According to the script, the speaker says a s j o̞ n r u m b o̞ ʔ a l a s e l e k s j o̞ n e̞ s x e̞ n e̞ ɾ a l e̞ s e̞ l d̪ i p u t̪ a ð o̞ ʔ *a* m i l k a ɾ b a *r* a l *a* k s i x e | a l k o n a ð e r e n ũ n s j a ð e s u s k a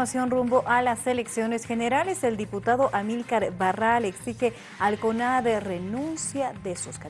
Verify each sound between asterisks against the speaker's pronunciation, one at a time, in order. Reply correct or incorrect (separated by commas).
correct, correct, incorrect